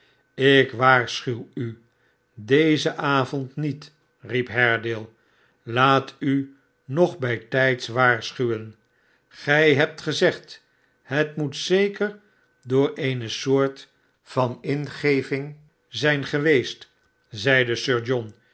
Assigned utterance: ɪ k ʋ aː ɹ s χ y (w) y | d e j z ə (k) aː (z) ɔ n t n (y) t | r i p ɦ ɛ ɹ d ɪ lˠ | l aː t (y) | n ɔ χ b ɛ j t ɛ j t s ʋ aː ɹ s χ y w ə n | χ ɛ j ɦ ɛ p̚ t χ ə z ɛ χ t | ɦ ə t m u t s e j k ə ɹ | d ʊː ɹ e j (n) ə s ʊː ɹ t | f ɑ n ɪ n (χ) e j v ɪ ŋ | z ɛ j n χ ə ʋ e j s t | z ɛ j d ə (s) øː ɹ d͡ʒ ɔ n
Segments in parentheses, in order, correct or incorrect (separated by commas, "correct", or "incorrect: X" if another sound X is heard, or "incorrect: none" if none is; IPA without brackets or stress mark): correct, incorrect: ʔ, incorrect: v, incorrect: i, correct, correct, correct, correct